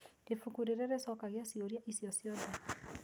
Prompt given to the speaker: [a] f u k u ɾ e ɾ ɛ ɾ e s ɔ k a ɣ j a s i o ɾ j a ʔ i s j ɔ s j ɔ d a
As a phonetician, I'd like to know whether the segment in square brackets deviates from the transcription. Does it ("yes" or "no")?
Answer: yes